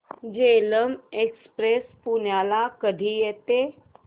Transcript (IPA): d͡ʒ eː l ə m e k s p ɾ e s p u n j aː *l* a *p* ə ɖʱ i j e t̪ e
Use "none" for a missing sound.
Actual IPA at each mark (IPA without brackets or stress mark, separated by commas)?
l, k